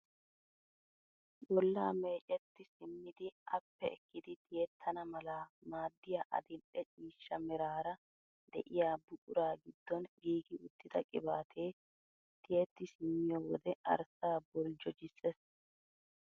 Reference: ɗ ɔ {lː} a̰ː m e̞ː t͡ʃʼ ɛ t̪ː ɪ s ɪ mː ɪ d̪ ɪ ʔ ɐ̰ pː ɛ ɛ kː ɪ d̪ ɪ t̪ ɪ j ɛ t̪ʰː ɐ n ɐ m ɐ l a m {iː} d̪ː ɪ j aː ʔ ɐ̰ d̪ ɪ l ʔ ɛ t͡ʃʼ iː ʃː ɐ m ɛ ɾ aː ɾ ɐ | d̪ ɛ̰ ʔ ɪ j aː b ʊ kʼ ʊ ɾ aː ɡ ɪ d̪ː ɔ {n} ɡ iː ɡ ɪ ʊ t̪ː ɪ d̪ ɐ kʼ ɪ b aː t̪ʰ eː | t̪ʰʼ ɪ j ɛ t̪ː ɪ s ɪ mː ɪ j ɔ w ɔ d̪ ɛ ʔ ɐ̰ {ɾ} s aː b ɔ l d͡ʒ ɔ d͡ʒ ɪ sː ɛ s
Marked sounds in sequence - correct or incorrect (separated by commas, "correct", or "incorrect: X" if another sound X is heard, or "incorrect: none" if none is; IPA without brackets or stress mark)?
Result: correct, incorrect: aː, correct, correct